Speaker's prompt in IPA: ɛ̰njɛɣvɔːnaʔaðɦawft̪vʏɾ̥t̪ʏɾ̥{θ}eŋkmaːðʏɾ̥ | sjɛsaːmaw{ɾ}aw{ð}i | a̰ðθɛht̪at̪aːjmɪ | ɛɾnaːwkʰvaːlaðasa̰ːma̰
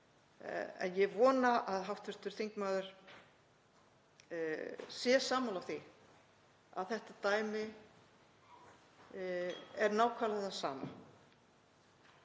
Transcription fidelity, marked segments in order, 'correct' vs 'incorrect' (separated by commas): correct, incorrect, incorrect